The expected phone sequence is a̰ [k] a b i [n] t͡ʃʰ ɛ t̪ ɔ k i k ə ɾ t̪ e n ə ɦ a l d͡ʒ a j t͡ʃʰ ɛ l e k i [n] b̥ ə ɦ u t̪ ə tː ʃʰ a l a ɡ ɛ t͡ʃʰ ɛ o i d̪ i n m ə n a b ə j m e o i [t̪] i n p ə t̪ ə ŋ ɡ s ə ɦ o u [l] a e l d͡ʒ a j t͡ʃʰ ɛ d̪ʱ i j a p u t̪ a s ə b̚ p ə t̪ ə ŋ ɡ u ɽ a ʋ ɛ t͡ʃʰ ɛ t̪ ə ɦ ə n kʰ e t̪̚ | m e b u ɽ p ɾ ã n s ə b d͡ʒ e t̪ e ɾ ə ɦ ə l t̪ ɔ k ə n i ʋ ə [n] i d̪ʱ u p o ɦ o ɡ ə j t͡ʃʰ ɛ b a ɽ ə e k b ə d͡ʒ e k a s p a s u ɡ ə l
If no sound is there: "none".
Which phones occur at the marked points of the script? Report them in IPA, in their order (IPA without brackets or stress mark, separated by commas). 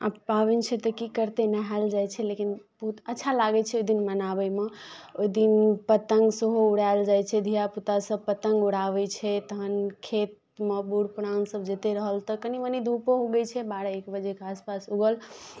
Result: p, n, n, d̪, ɽ, n